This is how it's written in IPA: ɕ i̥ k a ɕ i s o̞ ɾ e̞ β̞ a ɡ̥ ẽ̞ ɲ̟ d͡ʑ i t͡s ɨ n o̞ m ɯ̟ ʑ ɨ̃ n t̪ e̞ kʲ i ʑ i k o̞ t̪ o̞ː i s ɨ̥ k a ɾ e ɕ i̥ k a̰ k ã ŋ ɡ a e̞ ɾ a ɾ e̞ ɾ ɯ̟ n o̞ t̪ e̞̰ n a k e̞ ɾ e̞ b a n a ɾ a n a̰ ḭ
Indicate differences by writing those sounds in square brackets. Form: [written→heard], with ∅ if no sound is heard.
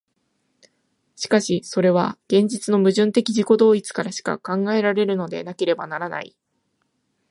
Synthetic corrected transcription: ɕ i̥ k a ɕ i s o̞ ɾ e̞ β̞ a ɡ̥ ẽ̞ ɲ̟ d͡ʑ i t͡s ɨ n o̞ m ɯ̟ ʑ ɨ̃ n t̪ e̞ kʲ i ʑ i k o̞ [t̪→d̪] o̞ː i [s→t͡s] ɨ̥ k a ɾ [e→a] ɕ i̥ k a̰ k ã ŋ ɡ a e̞ ɾ a ɾ e̞ ɾ ɯ̟ n o̞ [t̪→d̪] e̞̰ n a k e̞ ɾ e̞ b a n a ɾ a n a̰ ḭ